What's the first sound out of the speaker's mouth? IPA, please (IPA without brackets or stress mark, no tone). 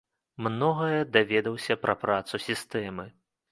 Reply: m